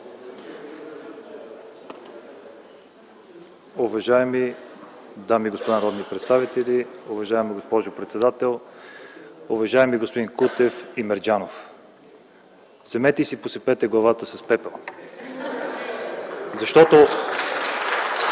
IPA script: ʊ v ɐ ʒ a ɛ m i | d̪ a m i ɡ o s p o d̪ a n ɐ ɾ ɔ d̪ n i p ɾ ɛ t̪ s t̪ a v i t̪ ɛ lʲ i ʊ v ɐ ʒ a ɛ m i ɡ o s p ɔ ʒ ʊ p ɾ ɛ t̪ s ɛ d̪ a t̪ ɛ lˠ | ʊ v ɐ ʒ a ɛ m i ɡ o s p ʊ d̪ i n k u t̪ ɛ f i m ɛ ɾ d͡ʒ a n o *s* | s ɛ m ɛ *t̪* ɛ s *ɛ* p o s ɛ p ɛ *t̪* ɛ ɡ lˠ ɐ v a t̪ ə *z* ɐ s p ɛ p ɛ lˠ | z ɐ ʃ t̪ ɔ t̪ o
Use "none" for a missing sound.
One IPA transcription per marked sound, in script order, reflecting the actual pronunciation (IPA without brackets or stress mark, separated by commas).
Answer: f, t̪, i, t̪, s